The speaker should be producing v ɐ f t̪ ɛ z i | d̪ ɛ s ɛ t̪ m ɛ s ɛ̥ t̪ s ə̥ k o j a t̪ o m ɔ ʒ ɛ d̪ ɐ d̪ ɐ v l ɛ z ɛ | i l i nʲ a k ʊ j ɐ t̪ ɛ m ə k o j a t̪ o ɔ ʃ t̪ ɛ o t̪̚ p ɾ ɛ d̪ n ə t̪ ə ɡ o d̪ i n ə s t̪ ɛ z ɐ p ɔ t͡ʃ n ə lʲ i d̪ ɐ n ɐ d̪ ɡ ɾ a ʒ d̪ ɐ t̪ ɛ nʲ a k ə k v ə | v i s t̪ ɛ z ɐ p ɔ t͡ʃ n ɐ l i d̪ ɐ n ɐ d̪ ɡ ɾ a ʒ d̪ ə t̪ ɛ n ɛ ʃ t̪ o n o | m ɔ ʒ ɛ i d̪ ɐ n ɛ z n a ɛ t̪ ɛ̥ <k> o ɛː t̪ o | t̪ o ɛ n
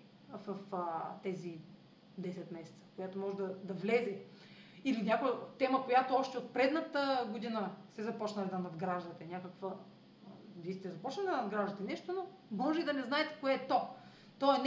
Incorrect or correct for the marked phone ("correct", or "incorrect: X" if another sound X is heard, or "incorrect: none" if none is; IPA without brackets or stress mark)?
correct